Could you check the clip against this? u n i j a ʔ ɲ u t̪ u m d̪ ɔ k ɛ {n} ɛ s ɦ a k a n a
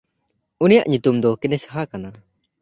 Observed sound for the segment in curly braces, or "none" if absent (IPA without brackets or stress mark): n